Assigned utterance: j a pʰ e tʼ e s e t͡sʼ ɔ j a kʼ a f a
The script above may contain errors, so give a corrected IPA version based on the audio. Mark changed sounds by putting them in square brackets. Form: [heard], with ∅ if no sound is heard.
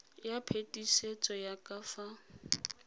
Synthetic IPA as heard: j a pʰ e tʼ [i] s e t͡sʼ ɔ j a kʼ a f a